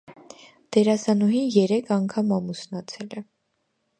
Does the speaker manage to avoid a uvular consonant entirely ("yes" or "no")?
yes